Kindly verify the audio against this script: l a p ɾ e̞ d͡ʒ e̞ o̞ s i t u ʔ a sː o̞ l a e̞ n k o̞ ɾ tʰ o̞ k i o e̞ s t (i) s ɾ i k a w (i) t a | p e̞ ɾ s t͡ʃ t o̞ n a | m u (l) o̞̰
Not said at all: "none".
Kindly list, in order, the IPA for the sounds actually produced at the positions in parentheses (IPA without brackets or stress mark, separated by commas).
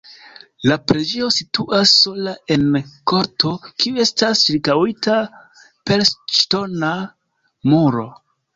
a, i, ɾ